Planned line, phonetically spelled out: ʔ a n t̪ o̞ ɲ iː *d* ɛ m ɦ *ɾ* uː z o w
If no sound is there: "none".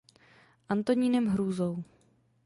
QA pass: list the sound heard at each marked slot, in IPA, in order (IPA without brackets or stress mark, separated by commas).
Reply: n, ɾ